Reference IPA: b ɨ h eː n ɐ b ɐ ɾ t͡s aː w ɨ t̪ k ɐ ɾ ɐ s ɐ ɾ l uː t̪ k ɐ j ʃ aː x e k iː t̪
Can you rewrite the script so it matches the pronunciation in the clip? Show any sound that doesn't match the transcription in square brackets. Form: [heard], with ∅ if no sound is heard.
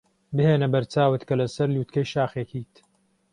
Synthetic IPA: b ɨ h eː n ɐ b ɐ ɾ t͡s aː w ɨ t̪ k ɐ [l] ɐ s ɐ ɾ l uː t̪ k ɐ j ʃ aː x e k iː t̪